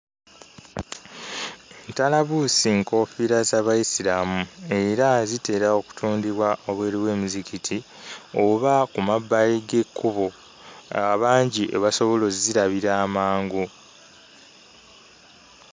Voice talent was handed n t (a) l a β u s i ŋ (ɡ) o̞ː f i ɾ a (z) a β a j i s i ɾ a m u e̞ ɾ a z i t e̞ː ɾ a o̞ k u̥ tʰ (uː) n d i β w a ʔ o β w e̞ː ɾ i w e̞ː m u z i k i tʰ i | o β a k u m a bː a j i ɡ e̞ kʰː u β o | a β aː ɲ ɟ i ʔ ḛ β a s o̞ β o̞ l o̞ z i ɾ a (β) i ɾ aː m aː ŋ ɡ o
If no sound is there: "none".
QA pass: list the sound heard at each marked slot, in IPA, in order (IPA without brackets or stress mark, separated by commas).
a, k, z, uː, β